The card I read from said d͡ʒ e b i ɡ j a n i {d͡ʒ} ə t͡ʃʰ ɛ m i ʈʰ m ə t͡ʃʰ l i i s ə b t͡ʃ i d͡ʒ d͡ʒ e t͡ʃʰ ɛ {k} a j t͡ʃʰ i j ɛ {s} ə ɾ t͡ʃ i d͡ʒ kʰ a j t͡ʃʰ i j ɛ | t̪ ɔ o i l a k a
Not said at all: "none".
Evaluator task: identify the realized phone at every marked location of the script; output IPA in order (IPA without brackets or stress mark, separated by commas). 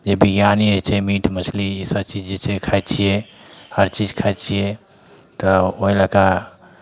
none, kʰ, h